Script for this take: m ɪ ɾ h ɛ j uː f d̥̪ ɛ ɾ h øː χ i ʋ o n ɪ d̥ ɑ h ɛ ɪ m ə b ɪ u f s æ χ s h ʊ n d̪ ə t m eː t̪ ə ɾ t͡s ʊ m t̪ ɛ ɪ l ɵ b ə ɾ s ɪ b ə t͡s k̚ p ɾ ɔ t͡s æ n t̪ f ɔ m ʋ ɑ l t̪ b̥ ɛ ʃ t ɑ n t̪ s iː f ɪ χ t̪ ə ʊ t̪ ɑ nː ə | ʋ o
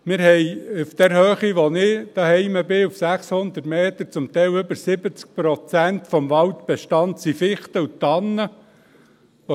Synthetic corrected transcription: m ɪ ɾ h ɛ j u f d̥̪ ɛ ɾ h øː χ i ʋ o n ɪ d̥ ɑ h ɛ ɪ m ə b ɪ u f s æ χ s h ʊ n d̪ ə t m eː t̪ ə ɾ t͡s ʊ m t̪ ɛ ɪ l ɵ b ə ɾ s ɪ b ə t͡s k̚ p ɾ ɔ t͡s æ n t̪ f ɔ m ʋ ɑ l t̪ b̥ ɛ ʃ t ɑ n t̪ s i f ɪ χ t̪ ə u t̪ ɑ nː ə | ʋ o

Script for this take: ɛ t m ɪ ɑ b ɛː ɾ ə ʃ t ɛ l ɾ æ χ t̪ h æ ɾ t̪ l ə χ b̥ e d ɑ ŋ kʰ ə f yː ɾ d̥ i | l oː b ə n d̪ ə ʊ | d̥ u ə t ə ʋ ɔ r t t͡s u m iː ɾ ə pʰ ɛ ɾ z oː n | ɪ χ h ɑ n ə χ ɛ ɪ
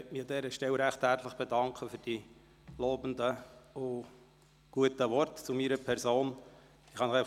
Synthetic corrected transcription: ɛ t m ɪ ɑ d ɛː ɾ ə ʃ t ɛ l ɾ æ χ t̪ h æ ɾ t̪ l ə χ b̥ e d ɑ ŋ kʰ ə f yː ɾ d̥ i | l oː b ə n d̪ ə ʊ | ɡ̥ u ə t ə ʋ ɔ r t t͡s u m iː ɾ ə pʰ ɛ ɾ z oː n | ɪ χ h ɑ n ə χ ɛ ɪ

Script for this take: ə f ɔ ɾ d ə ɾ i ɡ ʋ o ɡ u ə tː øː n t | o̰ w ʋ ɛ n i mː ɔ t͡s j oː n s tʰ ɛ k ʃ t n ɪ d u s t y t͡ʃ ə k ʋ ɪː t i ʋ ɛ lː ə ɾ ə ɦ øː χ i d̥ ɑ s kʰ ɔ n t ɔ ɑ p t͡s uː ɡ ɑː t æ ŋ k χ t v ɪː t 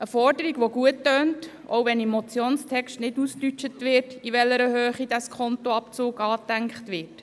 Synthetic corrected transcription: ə f ɔ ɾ d ə ɾ i ɡ ʋ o ɡ u ə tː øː n t | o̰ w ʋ ɛ n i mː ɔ t͡s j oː n s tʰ ɛ k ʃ t n ɪ d u s t y t͡ʃ ə t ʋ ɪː t i ʋ ɛ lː ə ɾ ə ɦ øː χ i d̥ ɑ s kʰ ɔ n t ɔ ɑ p t͡s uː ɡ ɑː t æ ŋ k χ t ʋ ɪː t

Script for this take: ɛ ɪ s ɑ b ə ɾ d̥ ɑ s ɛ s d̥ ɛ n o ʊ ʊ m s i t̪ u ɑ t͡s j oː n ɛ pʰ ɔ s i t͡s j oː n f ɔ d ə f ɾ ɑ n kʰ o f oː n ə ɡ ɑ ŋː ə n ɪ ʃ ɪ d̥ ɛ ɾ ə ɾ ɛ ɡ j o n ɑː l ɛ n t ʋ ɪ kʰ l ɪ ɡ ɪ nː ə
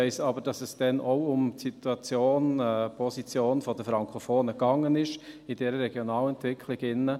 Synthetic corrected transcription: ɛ ɪ s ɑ b ə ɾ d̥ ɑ s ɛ s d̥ ɛ n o ʊ ʊ m s i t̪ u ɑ t͡s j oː n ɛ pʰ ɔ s i t͡s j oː n f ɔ d ə f ɾ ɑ ŋ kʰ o f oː n ə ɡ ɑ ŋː ə n ɪ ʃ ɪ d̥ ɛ ɾ ə ɾ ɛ ɡ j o n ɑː l ɛ n t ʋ ɪ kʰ l ɪ ɡ ɪ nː ə

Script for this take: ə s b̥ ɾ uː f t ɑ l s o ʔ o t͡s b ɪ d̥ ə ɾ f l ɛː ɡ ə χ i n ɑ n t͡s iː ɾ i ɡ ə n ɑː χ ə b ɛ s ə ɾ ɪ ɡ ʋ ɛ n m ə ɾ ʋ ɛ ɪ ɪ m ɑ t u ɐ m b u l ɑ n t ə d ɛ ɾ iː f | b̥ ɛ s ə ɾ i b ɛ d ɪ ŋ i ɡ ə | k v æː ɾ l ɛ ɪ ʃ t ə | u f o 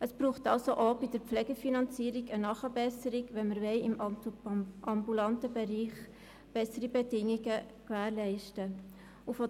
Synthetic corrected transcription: ə s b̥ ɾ uː χ t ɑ l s o ʔ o b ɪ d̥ ə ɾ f l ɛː ɡ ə f i n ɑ n t͡s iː ɾ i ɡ ə n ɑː χ ə b ɛ s ə ɾ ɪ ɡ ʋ ɛ n m ə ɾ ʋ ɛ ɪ ɪ m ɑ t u ɑ m b u l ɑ n t ə b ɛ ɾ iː χ | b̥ ɛ s ə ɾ i b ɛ d ɪ ŋ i ɡ ə | k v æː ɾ l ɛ ɪ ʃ t ə | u f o

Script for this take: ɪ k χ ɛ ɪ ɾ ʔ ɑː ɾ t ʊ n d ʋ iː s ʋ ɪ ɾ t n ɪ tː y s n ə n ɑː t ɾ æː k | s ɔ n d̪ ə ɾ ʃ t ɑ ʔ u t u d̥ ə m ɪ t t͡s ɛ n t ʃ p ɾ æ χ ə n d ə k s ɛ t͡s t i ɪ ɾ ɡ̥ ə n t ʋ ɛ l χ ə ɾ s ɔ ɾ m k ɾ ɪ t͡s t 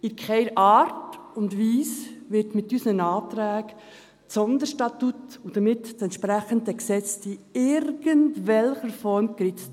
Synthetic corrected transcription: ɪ k χ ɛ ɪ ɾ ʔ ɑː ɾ t ʊ n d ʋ iː s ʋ ɪ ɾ t m ɪ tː y s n ə n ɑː t ɾ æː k | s ɔ n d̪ ə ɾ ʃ t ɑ t u t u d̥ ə m ɪ t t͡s ɛ n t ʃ p ɾ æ χ ə n d ə k s ɛ t͡s t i ɪ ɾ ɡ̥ ə n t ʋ ɛ l χ ə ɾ f ɔ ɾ m k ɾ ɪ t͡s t

